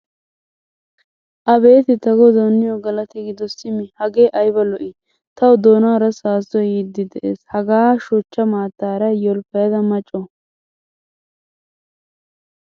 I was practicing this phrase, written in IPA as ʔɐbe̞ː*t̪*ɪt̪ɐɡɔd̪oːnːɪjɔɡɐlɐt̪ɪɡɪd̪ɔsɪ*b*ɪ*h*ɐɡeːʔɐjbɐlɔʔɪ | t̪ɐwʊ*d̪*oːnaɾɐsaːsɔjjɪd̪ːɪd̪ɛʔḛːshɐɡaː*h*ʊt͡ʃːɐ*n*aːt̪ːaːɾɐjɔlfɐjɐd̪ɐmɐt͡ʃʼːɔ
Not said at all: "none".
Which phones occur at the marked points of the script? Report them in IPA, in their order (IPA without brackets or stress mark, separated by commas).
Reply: t̪, m, h, d̪, ʃ, m